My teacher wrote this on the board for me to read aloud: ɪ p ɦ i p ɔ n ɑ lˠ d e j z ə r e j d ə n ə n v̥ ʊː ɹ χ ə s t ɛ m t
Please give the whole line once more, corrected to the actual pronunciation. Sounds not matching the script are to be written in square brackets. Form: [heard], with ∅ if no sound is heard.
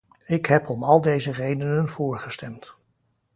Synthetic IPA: ɪ [k] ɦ [ɛ] p ɔ [m] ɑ lˠ d e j z ə r e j d ə n ə n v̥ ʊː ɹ χ ə s t ɛ m t